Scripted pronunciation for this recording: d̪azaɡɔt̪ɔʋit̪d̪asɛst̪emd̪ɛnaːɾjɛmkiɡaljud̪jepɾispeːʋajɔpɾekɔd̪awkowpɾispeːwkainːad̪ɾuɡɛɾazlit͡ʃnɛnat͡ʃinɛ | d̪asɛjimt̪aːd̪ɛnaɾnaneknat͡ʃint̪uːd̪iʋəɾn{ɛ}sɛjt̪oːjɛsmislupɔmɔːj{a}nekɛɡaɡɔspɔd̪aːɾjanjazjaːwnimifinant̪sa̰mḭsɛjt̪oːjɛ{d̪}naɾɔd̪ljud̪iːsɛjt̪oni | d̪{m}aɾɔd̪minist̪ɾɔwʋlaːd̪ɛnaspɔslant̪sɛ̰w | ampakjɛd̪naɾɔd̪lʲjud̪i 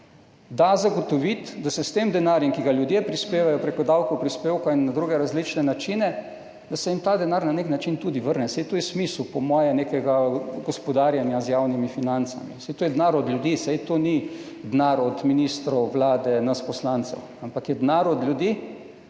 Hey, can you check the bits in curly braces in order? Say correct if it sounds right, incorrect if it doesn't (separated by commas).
correct, incorrect, correct, incorrect